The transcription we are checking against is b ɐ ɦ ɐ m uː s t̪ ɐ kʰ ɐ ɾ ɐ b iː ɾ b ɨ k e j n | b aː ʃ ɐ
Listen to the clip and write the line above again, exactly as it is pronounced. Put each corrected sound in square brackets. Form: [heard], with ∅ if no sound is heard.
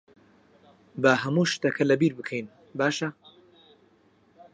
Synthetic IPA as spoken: b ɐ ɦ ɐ m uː [ʃ] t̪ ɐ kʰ ɐ [l] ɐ b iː ɾ b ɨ [kʰ] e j n | b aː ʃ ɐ